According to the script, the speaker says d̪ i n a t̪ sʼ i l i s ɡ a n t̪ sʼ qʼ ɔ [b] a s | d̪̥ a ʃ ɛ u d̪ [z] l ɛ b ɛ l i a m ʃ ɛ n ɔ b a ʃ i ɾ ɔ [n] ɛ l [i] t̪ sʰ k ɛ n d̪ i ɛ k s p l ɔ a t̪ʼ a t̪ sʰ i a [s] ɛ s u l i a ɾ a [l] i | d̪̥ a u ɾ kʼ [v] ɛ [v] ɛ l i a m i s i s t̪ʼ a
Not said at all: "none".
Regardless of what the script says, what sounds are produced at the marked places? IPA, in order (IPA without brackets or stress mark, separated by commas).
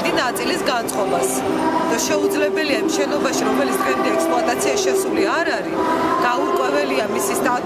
b, z, m, i, ʃ, ɾ, w, v